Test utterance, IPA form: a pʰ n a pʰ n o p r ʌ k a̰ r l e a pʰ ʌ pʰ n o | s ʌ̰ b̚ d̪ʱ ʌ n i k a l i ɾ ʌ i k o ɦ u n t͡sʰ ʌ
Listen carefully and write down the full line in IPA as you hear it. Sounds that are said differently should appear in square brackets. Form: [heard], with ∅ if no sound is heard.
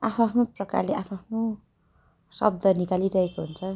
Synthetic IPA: a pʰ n a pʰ n o p r ʌ k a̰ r l e a pʰ [a] pʰ n o | s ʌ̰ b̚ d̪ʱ ʌ n i k a l i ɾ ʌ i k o ɦ u n t͡sʰ ʌ